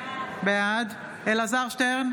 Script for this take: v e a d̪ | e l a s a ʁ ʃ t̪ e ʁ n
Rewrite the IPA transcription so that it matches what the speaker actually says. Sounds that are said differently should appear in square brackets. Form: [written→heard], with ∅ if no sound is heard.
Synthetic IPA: [v→b] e a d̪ | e l a [s→z] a ʁ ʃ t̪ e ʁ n